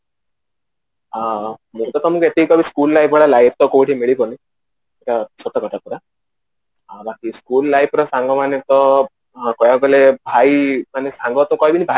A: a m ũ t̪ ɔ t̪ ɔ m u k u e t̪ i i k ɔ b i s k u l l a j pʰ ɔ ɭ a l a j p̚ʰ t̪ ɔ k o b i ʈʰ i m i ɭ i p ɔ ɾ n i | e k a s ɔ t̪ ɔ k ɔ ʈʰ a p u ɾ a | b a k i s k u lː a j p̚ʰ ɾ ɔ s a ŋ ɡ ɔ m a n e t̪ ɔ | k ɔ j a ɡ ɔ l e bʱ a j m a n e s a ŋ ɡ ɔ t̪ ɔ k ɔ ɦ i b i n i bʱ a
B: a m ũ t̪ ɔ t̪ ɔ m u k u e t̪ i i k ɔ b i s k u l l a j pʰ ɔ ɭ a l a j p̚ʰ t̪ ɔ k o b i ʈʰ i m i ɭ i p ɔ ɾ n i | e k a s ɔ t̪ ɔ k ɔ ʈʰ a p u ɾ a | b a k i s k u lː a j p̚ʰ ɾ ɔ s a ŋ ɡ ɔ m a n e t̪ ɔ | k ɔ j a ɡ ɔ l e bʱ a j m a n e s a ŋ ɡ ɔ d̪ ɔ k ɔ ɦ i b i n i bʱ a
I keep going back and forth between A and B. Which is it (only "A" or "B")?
A